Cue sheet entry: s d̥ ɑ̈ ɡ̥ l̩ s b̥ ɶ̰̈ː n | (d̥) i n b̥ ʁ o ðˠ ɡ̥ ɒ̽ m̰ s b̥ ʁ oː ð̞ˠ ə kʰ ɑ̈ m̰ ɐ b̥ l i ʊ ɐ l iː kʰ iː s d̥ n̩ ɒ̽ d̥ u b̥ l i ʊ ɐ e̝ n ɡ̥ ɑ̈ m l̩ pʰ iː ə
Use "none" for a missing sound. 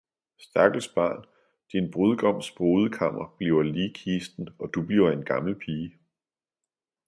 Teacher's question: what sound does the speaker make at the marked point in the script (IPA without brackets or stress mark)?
d̥